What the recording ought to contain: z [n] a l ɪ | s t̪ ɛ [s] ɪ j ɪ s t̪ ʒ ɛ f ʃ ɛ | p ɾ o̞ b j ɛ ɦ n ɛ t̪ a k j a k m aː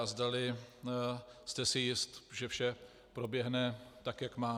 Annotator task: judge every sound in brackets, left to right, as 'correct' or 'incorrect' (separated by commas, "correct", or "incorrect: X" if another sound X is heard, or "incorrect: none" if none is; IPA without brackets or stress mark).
incorrect: d, correct